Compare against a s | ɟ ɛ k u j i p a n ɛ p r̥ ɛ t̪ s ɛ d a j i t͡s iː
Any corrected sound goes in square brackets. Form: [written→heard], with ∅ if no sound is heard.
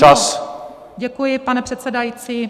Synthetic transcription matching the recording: a s | ɟ ɛ k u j [i→ɪ] p a n ɛ p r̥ ɛ t̪ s ɛ d a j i t͡s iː